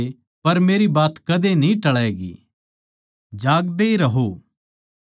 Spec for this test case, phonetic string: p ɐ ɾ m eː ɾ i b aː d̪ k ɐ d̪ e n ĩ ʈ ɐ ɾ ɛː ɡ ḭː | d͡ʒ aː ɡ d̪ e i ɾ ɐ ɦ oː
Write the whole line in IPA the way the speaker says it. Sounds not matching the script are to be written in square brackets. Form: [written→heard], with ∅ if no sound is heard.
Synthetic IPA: p ɐ ɾ m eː ɾ i b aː [d̪→t̪] k ɐ d̪ e n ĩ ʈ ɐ [ɾ→ɭ] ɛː ɡ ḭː | d͡ʒ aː ɡ d̪ e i ɾ ɐ ɦ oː